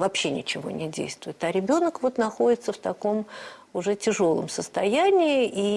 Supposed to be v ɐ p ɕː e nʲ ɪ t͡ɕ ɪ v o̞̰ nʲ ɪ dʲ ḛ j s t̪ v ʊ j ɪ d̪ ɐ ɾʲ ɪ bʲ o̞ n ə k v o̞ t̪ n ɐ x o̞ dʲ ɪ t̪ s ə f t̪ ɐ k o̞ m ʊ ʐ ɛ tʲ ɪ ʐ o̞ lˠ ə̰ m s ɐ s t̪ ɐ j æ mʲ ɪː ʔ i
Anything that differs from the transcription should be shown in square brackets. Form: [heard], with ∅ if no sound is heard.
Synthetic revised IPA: v ɐ p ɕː e nʲ ɪ t͡ɕ ɪ v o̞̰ nʲ ɪ dʲ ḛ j s t̪ v ʊ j ɪ [t̪] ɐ ɾʲ ɪ bʲ o̞ n ə k v o̞ t̪ n ɐ x o̞ dʲ ɪ t̪ s ə f t̪ ɐ k o̞ m ʊ ʐ ɛ tʲ ɪ ʐ o̞ lˠ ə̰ m s [ə] s t̪ ɐ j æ [nʲ] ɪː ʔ i